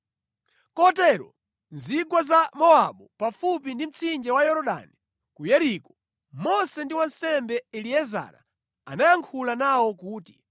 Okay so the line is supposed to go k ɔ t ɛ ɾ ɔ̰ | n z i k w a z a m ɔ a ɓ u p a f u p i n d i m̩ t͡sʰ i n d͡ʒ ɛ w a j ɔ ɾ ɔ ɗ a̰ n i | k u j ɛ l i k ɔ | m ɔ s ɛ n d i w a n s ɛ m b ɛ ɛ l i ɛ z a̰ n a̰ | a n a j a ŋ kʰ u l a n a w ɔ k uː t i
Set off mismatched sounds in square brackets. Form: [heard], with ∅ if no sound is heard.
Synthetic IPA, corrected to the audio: k ɔ t ɛ ɾ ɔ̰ | n z i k w a z a m ɔ a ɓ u p a f u p i n d i m̩ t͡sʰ i n d͡ʒ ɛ w a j ɔ ɾ ɔ ɗ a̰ n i | k u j ɛ [ɾ] i k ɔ | m ɔ s ɛ n d i w a n s ɛ m b ɛ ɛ l i ɛ z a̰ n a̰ | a n a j a ŋ kʰ u l a n a w ɔ k uː t i